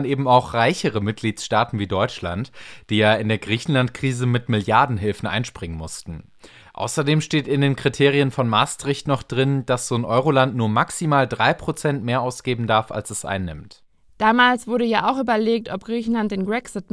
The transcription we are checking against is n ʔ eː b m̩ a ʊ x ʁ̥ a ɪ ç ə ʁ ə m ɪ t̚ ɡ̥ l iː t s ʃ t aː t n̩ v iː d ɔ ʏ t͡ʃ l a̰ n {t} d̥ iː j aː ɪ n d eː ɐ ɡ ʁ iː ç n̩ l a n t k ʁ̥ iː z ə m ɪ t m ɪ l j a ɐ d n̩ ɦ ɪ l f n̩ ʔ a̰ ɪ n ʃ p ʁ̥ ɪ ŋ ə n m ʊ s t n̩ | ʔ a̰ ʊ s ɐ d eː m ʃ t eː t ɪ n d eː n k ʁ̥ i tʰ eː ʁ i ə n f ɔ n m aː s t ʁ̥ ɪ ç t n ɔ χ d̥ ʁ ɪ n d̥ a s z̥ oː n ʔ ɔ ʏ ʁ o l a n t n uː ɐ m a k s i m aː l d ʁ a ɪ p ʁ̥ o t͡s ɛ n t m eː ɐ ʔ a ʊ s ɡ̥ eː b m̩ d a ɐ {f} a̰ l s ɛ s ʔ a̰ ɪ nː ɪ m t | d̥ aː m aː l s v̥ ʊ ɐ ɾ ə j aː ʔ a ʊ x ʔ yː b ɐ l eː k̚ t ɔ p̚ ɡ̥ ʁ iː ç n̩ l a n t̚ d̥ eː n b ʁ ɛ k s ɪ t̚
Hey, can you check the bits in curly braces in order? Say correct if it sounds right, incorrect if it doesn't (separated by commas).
correct, correct